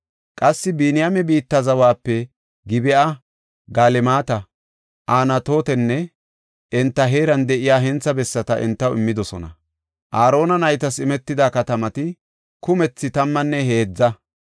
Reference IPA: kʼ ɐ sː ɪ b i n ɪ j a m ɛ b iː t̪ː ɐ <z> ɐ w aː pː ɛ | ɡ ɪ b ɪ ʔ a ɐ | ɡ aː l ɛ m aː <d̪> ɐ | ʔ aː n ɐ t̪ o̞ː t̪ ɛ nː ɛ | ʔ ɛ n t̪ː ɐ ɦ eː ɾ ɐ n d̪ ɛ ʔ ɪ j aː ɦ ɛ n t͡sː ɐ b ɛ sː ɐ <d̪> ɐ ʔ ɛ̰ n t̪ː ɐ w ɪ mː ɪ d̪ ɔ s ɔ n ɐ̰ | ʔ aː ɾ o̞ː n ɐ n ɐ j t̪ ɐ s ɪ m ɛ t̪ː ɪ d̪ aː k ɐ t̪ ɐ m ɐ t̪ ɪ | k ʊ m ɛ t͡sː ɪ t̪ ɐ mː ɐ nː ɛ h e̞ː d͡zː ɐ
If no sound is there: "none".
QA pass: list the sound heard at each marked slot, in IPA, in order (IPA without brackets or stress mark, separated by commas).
z, t̪, t̪